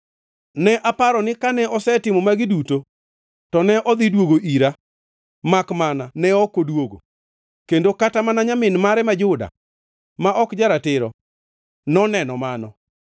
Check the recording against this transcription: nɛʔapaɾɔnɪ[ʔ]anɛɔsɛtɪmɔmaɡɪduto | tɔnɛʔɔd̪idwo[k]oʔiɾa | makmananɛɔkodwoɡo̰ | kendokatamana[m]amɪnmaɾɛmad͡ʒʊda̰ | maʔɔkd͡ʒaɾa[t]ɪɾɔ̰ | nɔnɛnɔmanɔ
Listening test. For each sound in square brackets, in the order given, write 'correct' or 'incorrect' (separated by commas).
incorrect, incorrect, incorrect, correct